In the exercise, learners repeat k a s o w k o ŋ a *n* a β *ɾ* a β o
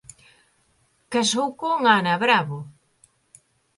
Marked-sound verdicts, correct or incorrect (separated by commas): correct, correct